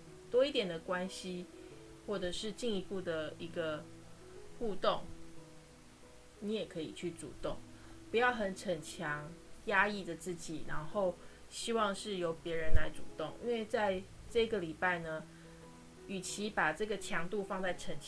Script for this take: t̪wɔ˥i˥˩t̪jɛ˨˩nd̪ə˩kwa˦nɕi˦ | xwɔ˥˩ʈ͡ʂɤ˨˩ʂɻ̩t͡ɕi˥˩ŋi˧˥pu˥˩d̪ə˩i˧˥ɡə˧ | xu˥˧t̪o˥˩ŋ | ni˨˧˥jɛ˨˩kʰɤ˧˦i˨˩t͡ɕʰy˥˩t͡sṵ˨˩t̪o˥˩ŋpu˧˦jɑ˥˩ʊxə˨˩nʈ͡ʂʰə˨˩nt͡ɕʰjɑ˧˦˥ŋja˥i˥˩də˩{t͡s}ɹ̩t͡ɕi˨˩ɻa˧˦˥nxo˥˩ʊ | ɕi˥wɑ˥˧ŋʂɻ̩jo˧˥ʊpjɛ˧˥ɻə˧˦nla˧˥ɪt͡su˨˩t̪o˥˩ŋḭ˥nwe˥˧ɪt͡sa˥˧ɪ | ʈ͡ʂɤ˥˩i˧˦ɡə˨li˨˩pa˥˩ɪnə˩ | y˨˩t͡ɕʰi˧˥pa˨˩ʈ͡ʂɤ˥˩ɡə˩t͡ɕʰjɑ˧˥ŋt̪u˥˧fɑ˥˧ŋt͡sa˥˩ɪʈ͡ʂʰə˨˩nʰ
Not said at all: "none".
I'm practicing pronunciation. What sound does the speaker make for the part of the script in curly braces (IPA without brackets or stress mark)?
t͡s